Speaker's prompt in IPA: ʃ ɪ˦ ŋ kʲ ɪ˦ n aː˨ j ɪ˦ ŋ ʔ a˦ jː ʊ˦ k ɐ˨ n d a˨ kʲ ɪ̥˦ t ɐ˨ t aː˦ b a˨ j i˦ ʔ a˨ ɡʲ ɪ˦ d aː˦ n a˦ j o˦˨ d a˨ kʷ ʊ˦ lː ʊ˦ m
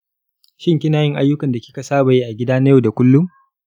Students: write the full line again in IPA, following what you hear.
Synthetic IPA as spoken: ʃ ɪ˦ ŋ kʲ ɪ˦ n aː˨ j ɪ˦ ŋ ʔ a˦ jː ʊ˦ k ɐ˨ n d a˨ kʲ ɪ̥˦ k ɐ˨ s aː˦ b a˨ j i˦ ʔ a˨ ɡʲ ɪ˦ d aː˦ n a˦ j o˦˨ d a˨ kʷ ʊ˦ lː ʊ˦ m